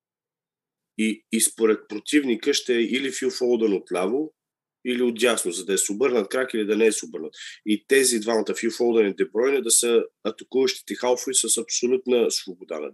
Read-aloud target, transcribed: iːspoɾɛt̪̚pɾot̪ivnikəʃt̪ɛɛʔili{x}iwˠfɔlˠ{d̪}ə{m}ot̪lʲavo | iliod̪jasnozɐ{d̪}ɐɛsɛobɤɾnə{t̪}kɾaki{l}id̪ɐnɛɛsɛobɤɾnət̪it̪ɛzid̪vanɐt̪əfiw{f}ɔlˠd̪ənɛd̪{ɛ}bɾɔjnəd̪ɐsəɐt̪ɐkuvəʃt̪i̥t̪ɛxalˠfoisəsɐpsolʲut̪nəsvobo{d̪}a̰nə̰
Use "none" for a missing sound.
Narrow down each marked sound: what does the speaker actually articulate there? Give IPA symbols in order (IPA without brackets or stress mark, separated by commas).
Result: f, d̪, n, d̪, t̪, l, f, ɛ, d̪